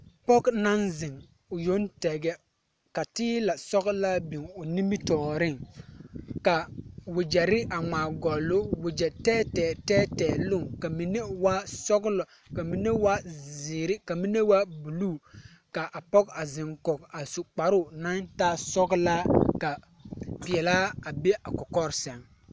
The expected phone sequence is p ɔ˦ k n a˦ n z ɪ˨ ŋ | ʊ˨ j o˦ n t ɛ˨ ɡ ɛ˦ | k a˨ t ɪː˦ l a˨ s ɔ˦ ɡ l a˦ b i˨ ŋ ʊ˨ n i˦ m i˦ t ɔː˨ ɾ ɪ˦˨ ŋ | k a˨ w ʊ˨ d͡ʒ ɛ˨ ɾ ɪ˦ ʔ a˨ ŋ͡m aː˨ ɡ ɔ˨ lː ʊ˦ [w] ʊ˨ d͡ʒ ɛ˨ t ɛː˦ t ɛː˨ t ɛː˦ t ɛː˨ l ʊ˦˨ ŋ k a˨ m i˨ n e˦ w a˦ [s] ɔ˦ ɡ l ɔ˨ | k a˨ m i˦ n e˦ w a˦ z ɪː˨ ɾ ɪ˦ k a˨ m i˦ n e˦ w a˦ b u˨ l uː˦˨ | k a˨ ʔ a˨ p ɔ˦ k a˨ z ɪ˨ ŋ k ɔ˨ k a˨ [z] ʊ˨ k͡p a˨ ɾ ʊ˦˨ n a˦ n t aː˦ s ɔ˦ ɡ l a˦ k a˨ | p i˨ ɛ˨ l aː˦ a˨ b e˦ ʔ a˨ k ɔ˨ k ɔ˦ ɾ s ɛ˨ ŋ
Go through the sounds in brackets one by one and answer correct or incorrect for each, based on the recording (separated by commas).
correct, correct, incorrect